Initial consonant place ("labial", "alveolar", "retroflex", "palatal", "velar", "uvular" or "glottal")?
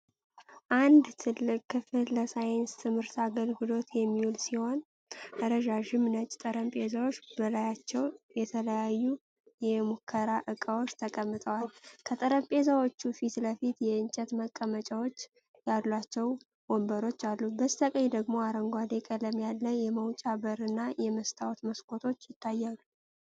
glottal